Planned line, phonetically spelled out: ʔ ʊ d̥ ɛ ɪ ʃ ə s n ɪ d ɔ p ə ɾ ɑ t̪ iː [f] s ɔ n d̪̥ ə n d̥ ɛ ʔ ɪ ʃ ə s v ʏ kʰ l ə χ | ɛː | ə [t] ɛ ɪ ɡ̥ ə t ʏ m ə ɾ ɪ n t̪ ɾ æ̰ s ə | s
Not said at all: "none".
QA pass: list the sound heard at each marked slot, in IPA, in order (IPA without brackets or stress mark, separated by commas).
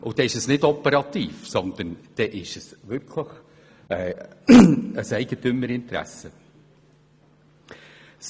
f, s